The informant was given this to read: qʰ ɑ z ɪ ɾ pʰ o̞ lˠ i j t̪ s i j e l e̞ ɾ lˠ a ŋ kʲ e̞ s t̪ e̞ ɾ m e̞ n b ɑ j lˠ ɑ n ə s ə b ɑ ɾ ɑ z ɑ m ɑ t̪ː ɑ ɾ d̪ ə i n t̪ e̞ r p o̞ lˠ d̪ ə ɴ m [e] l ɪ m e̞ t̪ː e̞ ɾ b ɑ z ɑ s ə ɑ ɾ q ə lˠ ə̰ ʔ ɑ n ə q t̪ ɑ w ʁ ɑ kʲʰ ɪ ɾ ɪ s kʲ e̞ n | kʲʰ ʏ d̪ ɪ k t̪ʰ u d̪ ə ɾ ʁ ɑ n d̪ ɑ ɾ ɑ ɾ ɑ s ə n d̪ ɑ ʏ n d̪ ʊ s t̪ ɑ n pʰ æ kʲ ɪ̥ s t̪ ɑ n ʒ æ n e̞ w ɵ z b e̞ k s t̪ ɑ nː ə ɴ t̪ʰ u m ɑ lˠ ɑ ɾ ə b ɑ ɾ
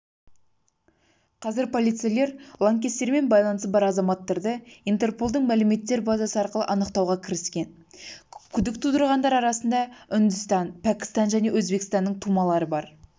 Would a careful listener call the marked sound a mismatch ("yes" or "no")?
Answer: yes